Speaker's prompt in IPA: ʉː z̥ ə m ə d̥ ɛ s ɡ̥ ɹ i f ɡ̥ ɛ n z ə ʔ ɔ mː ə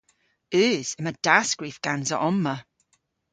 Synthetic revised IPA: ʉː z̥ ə m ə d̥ a s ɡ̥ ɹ i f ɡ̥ a n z ə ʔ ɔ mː ə

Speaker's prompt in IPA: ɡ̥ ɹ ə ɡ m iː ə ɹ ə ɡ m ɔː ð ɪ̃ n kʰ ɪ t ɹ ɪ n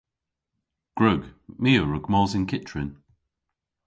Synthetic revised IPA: ɡ̥ ɹ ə ɡ m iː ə ɹ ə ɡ m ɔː z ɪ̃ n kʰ ɪ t ɹ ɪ n

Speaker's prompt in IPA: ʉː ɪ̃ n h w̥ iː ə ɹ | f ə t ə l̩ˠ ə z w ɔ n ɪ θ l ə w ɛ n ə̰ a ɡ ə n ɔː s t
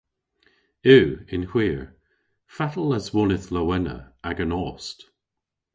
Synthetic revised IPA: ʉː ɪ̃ n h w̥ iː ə ɹ | f a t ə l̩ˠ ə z w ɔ n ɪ θ l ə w ɛ n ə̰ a ɡ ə n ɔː s t

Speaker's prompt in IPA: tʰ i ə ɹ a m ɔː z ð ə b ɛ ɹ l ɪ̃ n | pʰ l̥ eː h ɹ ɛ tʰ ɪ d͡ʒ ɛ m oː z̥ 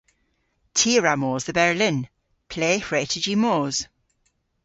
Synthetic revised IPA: tʰ i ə ɹ a m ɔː z ð ə b ɛ ɹ l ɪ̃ n | pʰ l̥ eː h ɹ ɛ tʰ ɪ d͡ʒ i m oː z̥

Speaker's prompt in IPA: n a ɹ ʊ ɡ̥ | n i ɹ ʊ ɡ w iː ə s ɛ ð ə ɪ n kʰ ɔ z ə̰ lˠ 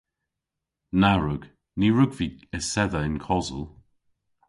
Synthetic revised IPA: n a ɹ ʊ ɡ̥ | n i ɹ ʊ ɡ v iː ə s ɛ ð ə ɪ n kʰ ɔ z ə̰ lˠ

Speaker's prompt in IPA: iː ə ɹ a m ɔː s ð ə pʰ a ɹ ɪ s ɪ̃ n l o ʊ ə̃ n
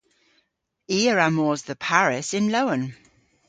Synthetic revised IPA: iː ə ɹ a m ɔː z ð ə pʰ a ɹ ɪ s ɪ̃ n l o ʊ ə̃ n

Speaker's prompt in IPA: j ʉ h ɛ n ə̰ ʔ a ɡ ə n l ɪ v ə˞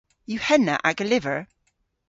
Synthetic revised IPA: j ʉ h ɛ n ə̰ ʔ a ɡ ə l ɪ v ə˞

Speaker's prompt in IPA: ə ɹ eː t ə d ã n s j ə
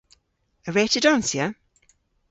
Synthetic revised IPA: ə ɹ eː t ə d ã n s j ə

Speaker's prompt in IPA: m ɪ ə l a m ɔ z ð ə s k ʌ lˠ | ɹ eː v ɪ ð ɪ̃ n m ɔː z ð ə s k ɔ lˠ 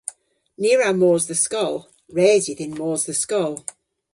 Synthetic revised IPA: n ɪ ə ɹ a m ɔː z ð ə s k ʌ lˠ | ɹ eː z ɪ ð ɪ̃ n m ɔː z ð ə s k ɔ lˠ

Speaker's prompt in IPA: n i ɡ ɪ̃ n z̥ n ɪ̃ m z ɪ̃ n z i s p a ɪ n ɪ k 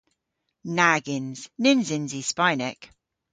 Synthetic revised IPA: n a ɡ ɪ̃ n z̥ n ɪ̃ n z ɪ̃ n z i s p a ɪ n ɪ k

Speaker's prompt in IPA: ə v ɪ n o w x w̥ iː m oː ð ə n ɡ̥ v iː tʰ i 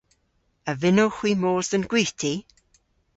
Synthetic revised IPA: ə v ɪ n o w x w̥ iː m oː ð ə n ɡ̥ w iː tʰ i

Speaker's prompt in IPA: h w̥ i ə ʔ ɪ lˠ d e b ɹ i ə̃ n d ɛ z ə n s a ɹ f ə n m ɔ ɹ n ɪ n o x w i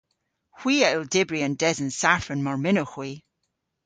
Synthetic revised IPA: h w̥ i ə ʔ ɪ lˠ d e b ɹ i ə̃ n d ɛ z ə n s a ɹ f ə n m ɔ ɹ m ɪ n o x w i

